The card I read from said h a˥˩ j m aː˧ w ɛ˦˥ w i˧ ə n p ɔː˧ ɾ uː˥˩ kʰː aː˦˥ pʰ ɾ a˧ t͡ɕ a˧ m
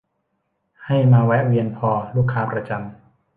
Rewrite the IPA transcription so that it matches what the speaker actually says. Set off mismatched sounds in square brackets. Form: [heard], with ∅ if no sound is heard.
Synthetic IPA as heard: h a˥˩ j m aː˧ w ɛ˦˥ w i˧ ə n [pʰ] ɔː˧ [l] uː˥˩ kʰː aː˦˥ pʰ ɾ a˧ t͡ɕ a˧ m